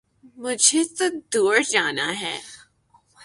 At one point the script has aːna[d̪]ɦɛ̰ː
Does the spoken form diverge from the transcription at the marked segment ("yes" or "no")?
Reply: yes